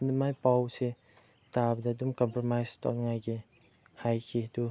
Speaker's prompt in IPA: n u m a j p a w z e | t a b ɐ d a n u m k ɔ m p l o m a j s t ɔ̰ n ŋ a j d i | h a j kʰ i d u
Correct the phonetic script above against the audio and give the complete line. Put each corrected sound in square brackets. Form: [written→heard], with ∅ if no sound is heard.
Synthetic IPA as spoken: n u m a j p a w [z→s] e | t a b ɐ d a [n→d] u m k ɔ m p [l→ɾ] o m a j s t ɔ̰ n ŋ a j [d→ɡ] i | h a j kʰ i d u